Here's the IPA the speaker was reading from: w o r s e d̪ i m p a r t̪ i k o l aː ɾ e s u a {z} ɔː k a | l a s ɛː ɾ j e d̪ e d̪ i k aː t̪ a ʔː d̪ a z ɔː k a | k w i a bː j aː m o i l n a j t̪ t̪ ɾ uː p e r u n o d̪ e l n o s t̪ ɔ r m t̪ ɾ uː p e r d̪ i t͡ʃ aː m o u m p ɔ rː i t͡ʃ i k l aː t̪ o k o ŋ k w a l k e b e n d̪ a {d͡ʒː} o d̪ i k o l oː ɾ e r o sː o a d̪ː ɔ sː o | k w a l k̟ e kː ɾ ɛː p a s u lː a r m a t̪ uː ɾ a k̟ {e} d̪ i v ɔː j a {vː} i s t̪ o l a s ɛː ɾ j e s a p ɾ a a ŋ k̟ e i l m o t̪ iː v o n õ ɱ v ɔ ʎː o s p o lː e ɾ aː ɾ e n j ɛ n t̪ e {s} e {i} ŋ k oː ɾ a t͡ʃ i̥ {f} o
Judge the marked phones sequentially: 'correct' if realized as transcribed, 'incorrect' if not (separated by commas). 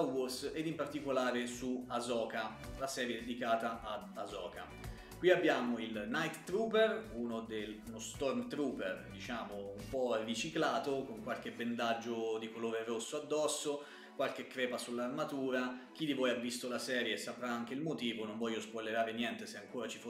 correct, correct, incorrect, correct, correct, incorrect, correct